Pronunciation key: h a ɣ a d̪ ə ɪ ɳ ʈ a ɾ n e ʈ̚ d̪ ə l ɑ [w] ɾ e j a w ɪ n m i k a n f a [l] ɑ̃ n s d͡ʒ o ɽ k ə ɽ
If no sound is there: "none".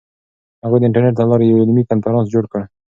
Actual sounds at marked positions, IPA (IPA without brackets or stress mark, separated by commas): none, ɾ